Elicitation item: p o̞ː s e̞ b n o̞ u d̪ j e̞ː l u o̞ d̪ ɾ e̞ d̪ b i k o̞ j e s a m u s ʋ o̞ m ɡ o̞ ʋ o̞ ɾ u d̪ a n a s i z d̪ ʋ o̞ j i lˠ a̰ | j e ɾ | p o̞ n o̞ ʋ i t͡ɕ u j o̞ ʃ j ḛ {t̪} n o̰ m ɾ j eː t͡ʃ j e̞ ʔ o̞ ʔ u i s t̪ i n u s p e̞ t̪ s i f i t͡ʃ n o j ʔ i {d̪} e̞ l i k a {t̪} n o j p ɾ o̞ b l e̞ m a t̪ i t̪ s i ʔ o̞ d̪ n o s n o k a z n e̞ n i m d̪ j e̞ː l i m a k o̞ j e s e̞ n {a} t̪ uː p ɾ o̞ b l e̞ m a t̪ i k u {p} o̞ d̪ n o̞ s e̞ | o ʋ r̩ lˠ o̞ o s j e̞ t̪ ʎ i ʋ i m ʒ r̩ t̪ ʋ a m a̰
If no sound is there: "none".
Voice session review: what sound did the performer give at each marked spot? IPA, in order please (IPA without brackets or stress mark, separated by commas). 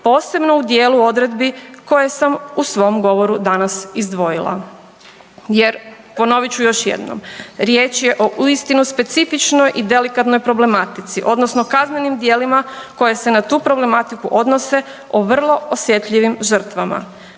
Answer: d̪, d̪, t̪, a, ʔ